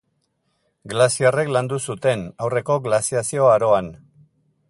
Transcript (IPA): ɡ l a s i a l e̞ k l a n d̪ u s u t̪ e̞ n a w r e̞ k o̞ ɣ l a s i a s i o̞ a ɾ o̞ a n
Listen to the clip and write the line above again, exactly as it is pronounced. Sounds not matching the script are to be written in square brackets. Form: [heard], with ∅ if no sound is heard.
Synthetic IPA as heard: ɡ l a s i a [r] e̞ k l a n d̪ u s u t̪ e̞ n a w r e̞ k o̞ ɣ l a s i a s i o̞ a ɾ o̞ a n